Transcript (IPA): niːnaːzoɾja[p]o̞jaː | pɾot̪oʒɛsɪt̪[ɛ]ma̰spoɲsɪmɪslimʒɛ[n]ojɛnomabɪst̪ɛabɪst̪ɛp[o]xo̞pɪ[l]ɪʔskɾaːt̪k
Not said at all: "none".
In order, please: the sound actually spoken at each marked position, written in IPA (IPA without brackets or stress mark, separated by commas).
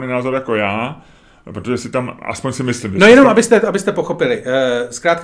k, a, n, o, l